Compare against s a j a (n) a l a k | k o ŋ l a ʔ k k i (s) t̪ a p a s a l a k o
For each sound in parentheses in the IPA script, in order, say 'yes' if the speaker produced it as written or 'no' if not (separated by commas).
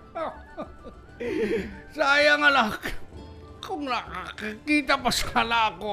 no, no